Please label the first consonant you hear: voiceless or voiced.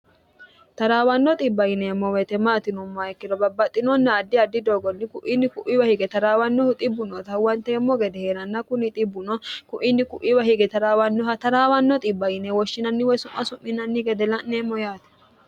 voiceless